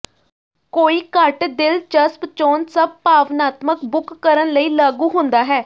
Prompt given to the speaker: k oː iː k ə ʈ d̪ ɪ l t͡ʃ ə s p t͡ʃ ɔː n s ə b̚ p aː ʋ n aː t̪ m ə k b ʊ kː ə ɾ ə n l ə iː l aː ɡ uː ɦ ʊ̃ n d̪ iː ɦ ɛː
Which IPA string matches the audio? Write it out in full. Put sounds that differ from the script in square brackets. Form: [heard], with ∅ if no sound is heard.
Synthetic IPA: k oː iː k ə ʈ d̪ ɪ l t͡ʃ ə s p t͡ʃ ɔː n s ə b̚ p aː ʋ n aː t̪ m ə k b ʊ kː ə ɾ ə n l ə iː l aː ɡ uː ɦ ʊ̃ n d̪ [aː] ɦ ɛː